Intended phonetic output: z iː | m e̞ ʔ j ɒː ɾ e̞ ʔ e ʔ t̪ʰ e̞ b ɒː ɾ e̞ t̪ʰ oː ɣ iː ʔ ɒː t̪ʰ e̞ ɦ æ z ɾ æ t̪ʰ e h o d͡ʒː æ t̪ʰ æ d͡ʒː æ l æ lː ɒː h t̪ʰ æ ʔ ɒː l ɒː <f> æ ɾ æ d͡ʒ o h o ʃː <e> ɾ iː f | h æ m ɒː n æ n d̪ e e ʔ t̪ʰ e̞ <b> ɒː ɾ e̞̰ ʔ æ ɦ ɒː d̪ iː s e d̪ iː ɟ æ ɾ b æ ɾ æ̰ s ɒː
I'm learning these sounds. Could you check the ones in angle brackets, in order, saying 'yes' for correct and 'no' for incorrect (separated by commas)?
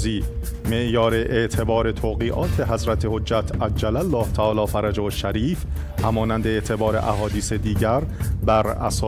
yes, no, yes